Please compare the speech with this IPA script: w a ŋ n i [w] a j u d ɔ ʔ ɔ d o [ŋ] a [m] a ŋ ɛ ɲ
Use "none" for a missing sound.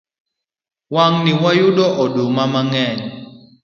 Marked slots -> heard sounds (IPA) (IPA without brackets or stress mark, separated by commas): w, m, m